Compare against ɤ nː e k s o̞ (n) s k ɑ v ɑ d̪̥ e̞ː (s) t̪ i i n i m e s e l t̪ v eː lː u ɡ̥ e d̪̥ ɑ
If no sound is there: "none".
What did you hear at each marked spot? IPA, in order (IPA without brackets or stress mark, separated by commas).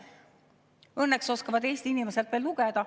none, s